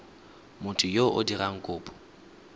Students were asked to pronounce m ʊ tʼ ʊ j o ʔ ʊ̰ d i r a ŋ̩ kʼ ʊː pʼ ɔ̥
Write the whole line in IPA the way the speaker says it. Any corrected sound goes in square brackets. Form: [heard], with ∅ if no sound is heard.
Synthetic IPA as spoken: m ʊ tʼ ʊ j o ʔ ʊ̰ d i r a ŋ̩ kʼ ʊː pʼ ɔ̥